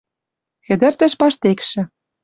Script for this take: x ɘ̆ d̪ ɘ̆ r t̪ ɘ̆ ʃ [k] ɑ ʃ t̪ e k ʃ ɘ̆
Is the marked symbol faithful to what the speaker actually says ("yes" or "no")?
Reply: no